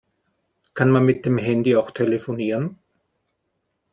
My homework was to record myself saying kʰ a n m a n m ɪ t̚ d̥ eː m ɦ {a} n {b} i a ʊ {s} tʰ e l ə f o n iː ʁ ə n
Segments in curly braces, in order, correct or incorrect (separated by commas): incorrect, incorrect, incorrect